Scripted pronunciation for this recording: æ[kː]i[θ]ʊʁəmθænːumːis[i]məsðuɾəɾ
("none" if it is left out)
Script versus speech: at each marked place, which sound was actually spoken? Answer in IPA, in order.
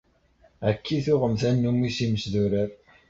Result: kː, θ, i

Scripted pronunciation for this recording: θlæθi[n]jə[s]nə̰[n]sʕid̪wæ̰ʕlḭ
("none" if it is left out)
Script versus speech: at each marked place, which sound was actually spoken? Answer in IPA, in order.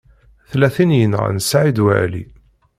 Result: n, none, n

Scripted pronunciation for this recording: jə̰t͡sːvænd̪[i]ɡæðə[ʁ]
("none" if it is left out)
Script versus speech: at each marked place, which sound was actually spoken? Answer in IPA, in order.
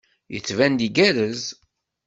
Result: i, z

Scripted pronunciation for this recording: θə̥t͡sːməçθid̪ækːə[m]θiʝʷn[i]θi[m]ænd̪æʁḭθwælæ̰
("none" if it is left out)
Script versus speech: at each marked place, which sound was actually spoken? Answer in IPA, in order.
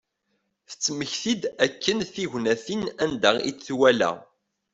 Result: n, æ, n

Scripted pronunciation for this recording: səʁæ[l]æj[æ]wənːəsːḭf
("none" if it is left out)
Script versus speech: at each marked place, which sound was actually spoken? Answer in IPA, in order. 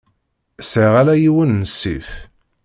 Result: l, i

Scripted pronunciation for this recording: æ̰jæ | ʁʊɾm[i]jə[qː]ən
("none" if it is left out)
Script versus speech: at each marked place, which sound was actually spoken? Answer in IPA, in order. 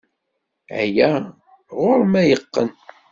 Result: æ, qː

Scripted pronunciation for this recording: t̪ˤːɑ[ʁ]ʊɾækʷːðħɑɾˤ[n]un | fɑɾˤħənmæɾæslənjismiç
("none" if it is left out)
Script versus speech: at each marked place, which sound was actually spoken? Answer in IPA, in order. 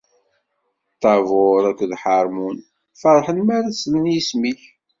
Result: v, m

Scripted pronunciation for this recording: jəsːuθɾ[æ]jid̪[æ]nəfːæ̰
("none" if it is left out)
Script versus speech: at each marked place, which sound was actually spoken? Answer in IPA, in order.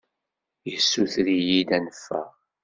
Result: i, æ

